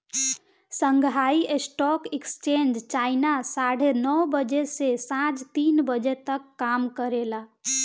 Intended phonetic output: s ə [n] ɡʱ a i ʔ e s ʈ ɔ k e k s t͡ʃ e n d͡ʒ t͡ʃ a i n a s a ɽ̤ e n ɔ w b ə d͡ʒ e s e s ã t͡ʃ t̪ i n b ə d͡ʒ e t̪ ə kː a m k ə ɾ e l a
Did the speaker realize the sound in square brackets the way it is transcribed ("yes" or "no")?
no